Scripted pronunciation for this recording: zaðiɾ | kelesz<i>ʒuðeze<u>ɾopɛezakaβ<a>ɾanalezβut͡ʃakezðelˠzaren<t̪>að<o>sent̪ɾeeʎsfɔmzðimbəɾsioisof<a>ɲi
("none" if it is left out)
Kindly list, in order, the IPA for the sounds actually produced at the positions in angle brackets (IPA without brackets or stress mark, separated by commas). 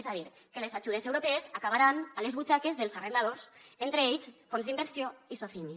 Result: a, w, a, d̪, o, i